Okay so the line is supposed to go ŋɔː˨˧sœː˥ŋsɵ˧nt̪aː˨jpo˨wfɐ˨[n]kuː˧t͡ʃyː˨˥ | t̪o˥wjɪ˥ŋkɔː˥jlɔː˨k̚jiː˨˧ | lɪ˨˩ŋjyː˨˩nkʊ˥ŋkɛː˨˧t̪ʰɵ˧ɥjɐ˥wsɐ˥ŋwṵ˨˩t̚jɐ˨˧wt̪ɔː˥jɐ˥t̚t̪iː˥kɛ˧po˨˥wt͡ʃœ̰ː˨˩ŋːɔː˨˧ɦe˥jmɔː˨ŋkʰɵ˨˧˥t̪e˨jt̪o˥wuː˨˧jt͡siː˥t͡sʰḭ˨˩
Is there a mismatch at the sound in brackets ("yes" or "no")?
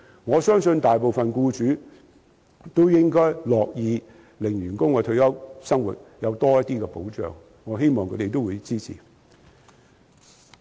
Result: no